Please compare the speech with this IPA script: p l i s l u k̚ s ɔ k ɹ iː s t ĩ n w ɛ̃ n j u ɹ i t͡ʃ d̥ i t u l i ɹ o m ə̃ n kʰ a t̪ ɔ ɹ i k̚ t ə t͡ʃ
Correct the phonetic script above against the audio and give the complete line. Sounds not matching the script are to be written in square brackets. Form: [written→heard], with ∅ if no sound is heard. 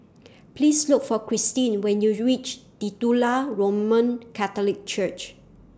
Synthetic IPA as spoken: p l i s l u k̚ [s→f] ɔ k ɹ [iː→i] s t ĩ n w ɛ̃ n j u ɹ i t͡ʃ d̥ i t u l [i→a] ɹ o m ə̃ n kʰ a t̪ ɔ [ɹ→l] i k̚ [t→t͡ʃ] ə t͡ʃ